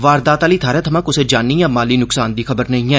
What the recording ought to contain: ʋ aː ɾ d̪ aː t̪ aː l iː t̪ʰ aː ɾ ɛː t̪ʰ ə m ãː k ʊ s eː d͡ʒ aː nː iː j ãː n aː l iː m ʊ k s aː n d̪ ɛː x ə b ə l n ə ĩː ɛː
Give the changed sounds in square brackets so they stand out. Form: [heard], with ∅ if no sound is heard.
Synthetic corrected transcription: ʋ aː ɾ d̪ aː t̪ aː l iː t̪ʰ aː ɾ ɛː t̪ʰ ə m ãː k ʊ s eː d͡ʒ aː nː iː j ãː [m] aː l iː [n] ʊ k s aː n d̪ [iː] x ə b ə [ɾ] n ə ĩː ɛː